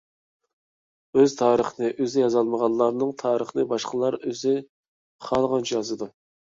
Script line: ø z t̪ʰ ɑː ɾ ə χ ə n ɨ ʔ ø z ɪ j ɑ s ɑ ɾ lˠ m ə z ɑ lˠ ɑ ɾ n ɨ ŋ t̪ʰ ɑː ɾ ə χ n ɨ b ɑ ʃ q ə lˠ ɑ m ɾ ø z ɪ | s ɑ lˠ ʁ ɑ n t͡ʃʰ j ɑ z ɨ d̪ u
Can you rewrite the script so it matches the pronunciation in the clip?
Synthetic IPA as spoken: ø z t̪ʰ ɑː ɾ ə χ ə n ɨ ʔ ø z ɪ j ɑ z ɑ lˠ m ə ʁ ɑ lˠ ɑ ɾ n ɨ ŋ t̪ʰ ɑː ɾ ə χ n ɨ b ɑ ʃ q ə lˠ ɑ ɾ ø z ɪ | χ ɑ lˠ ʁ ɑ n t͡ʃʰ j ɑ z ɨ d̪ u